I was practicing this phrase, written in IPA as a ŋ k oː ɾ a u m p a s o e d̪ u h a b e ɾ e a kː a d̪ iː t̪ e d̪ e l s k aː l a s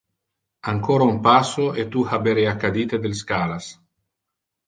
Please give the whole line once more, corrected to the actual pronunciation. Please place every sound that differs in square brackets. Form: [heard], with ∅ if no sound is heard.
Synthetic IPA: a ŋ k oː ɾ a u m p a s o e [t̪] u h a b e ɾ e a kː a d̪ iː t̪ e d̪ e l s k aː l a s